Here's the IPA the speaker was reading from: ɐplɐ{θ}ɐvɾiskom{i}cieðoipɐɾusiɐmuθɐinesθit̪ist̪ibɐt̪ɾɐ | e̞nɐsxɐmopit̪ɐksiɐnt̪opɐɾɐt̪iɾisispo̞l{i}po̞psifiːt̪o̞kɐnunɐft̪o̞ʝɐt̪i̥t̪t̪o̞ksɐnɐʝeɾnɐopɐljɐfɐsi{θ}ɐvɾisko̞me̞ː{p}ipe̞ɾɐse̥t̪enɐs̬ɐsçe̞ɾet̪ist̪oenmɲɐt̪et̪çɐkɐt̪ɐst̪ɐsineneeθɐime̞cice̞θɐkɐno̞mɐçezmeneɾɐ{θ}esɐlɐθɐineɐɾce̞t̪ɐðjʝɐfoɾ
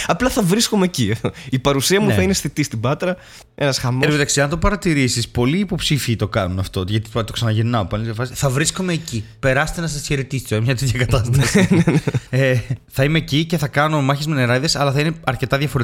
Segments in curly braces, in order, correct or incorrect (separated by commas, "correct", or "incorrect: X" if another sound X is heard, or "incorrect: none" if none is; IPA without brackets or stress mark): correct, incorrect: e, incorrect: iː, correct, incorrect: c, incorrect: ð